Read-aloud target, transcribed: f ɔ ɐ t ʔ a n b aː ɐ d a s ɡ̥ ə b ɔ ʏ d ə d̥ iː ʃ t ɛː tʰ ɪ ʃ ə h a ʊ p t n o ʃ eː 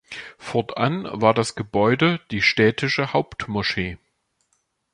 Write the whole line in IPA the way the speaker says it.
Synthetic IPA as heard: f ɔ ɐ t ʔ a n v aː ɐ d a s ɡ̥ ə b ɔ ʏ d ə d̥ iː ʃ t ɛː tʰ ɪ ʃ ə h a ʊ p t m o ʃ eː